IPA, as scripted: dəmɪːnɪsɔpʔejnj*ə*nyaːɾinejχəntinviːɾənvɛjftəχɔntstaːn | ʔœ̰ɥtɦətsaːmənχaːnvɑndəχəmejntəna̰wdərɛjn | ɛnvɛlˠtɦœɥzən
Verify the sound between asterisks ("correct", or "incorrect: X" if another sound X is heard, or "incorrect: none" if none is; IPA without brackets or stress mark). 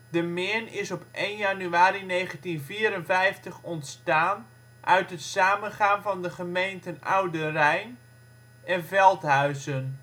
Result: incorrect: a